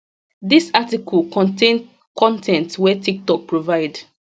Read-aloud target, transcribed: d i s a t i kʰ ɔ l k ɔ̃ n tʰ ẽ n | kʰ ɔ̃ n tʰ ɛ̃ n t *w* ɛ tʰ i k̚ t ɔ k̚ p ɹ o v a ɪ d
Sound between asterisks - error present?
no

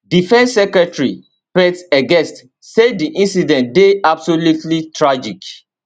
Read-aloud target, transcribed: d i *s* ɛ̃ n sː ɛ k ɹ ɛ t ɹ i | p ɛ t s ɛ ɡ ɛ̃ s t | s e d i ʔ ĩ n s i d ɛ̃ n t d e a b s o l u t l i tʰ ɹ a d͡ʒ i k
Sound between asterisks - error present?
yes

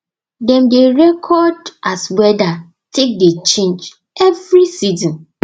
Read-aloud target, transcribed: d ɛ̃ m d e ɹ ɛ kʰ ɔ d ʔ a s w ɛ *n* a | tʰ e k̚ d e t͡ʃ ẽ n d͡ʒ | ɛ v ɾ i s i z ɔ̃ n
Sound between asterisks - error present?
yes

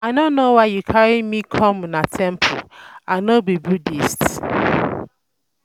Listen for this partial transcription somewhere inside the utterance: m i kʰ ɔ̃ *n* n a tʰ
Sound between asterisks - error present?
yes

